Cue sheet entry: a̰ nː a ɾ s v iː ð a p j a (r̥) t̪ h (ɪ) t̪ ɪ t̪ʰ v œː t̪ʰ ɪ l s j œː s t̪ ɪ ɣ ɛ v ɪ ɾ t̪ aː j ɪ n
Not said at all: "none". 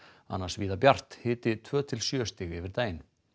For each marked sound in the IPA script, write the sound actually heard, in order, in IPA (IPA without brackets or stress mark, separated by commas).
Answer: r̥, ɪː